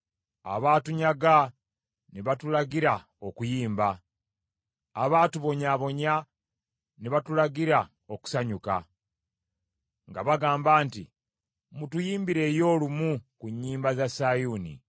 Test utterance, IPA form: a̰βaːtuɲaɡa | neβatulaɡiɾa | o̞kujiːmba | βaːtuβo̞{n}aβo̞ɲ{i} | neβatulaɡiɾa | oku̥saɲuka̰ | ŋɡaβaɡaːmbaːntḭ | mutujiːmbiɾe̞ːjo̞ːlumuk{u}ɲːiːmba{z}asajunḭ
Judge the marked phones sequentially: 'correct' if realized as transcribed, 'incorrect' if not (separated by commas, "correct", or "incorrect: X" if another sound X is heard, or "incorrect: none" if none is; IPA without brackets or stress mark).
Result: incorrect: ɲ, incorrect: a, correct, correct